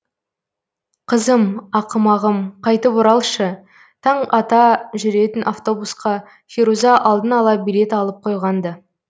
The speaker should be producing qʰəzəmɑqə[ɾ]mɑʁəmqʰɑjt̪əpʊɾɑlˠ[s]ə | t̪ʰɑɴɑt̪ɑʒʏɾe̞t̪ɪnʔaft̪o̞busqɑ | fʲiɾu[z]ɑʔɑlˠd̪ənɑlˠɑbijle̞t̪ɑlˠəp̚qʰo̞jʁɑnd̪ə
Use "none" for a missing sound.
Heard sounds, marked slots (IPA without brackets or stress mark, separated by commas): none, ʃ, z